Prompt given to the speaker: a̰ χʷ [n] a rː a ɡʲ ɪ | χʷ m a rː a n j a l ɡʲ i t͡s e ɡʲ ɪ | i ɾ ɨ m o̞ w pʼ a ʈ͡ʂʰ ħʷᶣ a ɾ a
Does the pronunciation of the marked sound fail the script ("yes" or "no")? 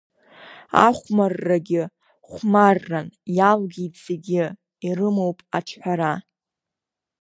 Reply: yes